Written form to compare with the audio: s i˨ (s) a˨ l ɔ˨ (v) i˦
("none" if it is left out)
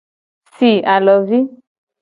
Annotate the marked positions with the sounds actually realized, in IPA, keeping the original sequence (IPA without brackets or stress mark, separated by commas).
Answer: none, v